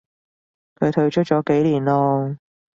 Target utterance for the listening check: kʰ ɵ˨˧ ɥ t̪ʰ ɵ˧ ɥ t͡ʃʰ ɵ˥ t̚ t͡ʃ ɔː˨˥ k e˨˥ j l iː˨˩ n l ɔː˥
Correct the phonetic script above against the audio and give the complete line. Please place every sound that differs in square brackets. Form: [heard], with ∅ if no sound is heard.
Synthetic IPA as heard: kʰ ɵ˨˧ ɥ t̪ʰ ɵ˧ ɥ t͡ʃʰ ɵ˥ t̚ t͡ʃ ɔː˨˥ k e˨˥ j l iː˨˩ n l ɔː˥